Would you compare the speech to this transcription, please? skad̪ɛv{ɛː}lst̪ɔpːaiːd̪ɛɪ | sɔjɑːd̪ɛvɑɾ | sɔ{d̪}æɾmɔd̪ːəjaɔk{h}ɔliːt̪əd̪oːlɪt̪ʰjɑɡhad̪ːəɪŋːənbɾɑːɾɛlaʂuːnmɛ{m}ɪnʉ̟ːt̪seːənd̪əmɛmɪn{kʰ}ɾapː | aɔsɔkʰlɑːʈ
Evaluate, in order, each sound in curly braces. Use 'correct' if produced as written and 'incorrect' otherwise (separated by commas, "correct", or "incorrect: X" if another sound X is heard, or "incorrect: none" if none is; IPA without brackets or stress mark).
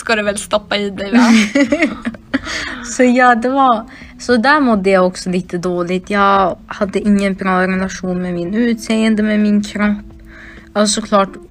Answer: incorrect: ɛ, correct, incorrect: s, correct, correct